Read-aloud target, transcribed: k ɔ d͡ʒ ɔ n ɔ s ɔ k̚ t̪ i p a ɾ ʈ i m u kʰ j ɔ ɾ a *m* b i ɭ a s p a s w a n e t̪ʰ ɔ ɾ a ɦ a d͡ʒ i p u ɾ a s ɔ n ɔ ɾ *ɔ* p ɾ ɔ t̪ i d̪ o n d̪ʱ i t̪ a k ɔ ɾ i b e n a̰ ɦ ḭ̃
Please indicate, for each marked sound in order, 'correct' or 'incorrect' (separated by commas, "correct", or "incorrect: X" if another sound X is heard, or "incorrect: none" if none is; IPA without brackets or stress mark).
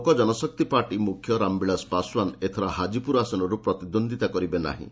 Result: correct, incorrect: u